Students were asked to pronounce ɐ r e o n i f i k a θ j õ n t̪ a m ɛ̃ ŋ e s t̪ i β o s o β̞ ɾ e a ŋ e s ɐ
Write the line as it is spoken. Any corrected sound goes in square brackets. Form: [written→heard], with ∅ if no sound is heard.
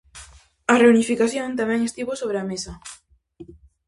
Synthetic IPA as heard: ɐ r e [o→u] n i f i k a θ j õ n t̪ a m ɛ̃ ŋ e s t̪ i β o s o β̞ ɾ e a [ŋ→m] e s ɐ

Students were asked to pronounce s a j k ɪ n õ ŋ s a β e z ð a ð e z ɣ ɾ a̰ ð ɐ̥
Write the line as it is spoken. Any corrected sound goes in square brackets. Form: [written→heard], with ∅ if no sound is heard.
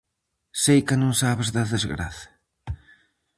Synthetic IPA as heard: s [a→e] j k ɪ n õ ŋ s a β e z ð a ð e z ɣ ɾ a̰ [ð→θ] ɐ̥

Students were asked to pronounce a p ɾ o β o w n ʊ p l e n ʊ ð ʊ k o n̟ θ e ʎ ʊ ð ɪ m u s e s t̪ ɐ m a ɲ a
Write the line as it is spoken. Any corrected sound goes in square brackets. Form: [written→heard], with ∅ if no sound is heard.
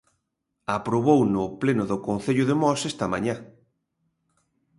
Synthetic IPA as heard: a p ɾ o β o w n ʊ p l e n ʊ ð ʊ k o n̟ θ e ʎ ʊ ð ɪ m [u→ɔ] s e s t̪ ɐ m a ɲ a

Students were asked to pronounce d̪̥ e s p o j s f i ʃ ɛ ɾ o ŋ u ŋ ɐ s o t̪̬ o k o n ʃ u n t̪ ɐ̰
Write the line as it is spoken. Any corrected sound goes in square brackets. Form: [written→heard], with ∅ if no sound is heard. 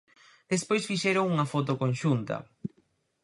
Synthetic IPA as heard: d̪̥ e s p o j s f i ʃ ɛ ɾ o ŋ u ŋ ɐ [s→f] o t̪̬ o k o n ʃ u n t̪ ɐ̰

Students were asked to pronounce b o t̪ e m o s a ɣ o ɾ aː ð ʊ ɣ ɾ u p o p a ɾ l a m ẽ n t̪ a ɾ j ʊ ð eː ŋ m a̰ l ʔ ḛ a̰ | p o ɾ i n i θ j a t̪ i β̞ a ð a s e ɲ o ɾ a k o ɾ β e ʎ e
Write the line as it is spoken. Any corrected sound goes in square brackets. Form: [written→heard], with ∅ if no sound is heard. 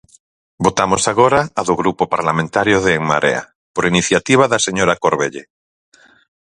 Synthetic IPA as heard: b o t̪ [e→a] m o s a ɣ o ɾ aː ð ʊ ɣ ɾ u p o p a ɾ l a m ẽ n t̪ a ɾ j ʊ ð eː ŋ m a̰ [l→ɾ] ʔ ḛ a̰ | p o ɾ i n i θ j a t̪ i β̞ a ð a s e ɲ o ɾ a k o ɾ β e ʎ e

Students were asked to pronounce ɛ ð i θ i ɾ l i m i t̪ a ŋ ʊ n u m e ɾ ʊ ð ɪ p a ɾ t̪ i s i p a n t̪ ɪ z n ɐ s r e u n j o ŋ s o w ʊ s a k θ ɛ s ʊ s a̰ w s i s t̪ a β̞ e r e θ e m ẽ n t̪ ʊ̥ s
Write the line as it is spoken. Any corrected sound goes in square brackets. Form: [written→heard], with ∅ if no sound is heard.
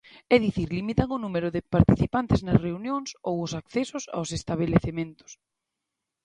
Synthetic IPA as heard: ɛ ð i θ i ɾ l i m i t̪ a ŋ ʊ n u m e ɾ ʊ ð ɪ p a ɾ t̪ i [s→θ] i p a n t̪ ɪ z n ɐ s r e u n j o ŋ s o w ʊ s a k θ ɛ s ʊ s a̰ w s [i→e] s t̪ a β̞ e [r→l] e θ e m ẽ n t̪ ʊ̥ s

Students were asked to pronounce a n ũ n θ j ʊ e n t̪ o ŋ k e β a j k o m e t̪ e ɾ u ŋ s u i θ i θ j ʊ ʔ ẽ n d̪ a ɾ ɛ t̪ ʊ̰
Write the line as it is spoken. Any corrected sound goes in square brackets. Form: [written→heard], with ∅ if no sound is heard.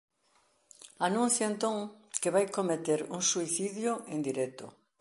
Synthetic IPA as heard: a n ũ n θ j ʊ e n t̪ o ŋ k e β a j k o m e t̪ e ɾ u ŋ s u i θ i [θ→ð] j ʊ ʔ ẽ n d̪ [a→i] ɾ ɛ t̪ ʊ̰

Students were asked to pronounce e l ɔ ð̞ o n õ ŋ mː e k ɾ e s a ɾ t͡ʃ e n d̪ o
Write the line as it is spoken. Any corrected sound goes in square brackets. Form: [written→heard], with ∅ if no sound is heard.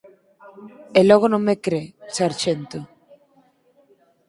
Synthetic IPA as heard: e l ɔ [ð̞→ɣ̞] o n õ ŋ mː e k ɾ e s a ɾ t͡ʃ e n [d̪→t̪] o

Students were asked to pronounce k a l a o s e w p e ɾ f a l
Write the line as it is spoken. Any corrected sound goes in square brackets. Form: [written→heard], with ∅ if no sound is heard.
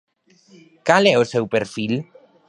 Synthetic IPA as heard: k a l [a→ɛ] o s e w p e ɾ f [a→i] l

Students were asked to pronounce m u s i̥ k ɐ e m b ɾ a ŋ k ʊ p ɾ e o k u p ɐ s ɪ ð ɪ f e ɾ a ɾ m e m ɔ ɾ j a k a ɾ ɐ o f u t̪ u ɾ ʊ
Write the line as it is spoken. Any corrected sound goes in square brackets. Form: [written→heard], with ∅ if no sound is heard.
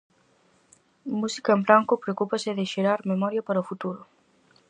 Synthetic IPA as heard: m u s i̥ k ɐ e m b ɾ a ŋ k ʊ p ɾ e o k u p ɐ s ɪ ð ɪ [f→ʃ] e ɾ a ɾ m e m ɔ ɾ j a [k→p] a ɾ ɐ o f u t̪ u ɾ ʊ

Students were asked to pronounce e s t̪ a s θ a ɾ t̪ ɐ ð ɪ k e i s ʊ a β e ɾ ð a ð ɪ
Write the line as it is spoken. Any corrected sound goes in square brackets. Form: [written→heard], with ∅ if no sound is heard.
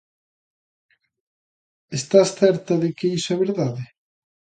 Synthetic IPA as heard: e s t̪ a s θ [a→ɛ] ɾ t̪ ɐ ð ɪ k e i s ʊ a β e ɾ ð a ð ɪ

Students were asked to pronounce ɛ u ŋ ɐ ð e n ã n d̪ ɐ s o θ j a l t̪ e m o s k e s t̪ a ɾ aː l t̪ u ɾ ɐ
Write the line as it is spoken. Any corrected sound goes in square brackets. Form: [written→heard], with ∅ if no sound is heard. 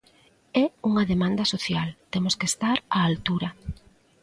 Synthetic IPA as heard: ɛ u ŋ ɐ ð e [n→m] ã n d̪ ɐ s o θ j a l t̪ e m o s k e s t̪ a ɾ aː l t̪ u ɾ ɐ

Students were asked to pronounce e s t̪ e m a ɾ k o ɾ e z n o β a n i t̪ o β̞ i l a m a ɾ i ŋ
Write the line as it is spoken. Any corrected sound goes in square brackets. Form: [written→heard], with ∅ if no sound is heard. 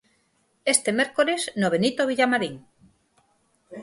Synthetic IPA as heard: e s t̪ e m [a→e] ɾ k o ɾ e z n o β [a→e] n i t̪ o β̞ i [l→ʎ] a m a ɾ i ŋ

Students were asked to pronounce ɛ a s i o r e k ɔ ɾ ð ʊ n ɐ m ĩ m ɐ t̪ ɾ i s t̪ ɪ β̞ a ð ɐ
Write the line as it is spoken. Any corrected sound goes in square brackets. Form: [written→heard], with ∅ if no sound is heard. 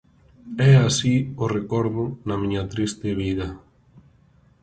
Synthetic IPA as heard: ɛ a s i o r e k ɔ ɾ ð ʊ n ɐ m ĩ [m→ɲ] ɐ t̪ ɾ i s t̪ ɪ β̞ [a→i] ð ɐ

